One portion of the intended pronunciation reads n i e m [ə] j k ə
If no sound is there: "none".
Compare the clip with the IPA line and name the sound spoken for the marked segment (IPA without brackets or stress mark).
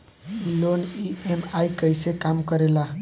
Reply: a